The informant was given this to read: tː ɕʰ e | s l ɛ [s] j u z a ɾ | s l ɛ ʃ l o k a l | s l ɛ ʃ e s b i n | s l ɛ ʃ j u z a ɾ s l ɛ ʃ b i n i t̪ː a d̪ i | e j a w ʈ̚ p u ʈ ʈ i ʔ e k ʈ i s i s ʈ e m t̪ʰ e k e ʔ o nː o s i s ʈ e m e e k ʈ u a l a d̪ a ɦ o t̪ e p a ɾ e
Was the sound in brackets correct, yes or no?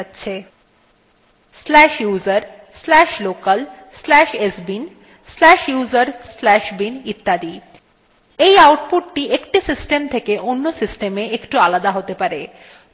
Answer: no